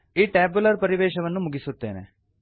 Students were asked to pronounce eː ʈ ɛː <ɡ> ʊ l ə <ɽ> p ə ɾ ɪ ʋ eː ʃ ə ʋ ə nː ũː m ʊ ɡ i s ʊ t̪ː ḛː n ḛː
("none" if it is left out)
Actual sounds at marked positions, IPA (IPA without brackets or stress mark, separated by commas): b, ɾ